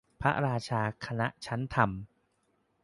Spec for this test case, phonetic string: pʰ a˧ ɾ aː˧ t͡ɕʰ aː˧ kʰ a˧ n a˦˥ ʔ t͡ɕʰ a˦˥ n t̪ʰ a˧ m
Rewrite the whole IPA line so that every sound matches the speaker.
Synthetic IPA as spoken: pʰ a˦˥ ɾ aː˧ t͡ɕʰ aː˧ kʰ a˧ n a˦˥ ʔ t͡ɕʰ a˦˥ n t̪ʰ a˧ m